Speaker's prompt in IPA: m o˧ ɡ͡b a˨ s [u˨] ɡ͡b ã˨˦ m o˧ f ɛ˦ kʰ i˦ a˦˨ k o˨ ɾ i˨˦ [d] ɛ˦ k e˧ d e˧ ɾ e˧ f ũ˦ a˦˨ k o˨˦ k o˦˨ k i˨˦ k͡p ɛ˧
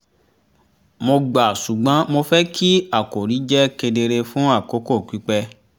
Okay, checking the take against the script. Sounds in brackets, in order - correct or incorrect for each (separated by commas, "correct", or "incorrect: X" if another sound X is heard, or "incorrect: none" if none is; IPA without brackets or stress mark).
correct, incorrect: d͡ʒ